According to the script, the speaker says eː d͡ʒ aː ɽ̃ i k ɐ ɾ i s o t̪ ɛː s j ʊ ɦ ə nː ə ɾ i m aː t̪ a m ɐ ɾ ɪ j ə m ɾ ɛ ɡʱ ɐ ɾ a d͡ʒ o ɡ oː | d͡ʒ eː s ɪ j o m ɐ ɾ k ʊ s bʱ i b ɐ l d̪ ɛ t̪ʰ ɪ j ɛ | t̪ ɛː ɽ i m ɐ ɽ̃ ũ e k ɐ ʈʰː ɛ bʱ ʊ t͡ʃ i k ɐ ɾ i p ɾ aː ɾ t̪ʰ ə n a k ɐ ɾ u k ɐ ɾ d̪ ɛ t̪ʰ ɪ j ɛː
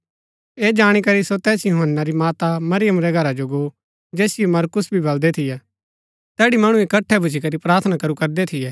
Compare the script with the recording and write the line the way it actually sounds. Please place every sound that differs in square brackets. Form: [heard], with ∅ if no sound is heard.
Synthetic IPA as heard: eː d͡ʒ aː ɽ̃ i k ɐ ɾ i s o t̪ ɛː s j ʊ ɦ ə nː [a] ɾ i m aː t̪ a m ɐ ɾ ɪ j ə m ɾ ɛ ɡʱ ɐ ɾ a d͡ʒ o ɡ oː | d͡ʒ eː s ɪ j o m ɐ ɾ k ʊ s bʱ i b ɐ l d̪ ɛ t̪ʰ ɪ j ɛ | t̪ ɛː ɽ i m ɐ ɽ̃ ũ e k ɐ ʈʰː ɛ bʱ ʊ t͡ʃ i k ɐ ɾ i p ɾ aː ɾ t̪ʰ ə n a k ɐ ɾ u k ɐ ɾ d̪ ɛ t̪ʰ ɪ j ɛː